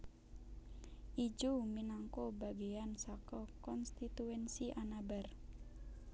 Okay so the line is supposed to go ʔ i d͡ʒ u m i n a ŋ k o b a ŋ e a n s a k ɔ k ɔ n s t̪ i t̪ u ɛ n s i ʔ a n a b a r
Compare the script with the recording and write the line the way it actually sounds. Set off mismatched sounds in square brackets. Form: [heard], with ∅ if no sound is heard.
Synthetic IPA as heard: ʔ i d͡ʒ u m i n a ŋ k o b a [ɡ] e a n s a k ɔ k ɔ n s t̪ i t̪ u ɛ n s i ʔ a n a b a r